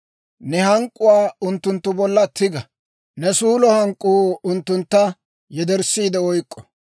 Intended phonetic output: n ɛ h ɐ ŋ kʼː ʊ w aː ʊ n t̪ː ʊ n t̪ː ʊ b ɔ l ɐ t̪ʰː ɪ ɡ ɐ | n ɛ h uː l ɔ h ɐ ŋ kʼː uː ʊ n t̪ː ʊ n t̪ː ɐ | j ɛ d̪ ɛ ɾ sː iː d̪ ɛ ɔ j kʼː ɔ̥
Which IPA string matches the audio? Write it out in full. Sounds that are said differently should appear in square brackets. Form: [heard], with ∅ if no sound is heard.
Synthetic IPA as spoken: n ɛ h ɐ ŋ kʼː ʊ w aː ʊ n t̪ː ʊ n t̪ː ʊ b ɔ [lː] ɐ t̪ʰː ɪ ɡ ɐ | n ɛ [s] uː l ɔ h ɐ ŋ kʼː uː ʊ n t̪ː ʊ n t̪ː ɐ | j ɛ d̪ ɛ ɾ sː iː d̪ ɛ ɔ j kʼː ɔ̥